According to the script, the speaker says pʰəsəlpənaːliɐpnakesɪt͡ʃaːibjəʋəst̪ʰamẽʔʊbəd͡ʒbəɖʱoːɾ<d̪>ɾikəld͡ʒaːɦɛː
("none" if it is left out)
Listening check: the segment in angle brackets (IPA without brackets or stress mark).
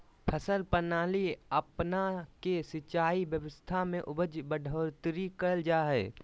t̪